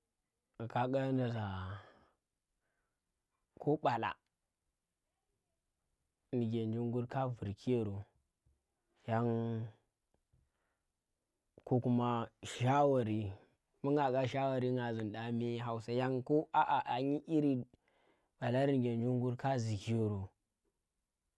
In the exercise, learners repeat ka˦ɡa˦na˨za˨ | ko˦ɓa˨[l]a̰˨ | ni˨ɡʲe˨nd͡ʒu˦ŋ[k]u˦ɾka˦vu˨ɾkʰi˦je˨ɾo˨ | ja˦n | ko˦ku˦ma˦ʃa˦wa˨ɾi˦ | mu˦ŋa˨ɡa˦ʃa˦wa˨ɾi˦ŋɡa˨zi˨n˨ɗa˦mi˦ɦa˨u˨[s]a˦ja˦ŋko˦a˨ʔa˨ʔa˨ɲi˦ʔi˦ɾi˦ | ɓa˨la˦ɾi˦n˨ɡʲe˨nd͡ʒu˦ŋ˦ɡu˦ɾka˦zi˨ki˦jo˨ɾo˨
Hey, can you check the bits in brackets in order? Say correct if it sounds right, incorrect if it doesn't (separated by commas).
correct, incorrect, correct